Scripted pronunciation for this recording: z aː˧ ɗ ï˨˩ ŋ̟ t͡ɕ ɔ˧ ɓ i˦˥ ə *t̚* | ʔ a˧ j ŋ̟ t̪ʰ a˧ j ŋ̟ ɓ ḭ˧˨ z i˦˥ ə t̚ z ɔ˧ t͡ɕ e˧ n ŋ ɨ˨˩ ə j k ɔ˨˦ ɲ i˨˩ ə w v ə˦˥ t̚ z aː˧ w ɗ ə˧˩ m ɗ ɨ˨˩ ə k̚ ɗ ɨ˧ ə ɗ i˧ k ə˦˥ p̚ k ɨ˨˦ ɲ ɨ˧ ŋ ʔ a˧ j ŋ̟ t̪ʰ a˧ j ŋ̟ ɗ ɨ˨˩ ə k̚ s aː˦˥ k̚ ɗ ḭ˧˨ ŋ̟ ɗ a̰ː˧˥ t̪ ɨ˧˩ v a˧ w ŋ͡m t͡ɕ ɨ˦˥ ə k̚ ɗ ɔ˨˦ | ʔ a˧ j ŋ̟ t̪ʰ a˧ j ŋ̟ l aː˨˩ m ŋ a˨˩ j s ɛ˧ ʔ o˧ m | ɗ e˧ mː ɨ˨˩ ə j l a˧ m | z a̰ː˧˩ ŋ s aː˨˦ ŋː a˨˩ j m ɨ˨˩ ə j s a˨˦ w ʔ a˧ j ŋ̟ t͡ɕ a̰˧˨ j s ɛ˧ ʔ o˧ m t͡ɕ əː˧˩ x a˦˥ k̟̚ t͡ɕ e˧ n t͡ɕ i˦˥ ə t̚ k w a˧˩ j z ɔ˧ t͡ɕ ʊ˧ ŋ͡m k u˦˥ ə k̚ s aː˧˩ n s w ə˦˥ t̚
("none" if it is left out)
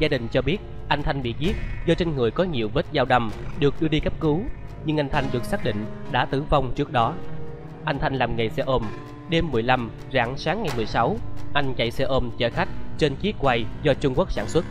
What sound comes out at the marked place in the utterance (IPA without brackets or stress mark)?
t̚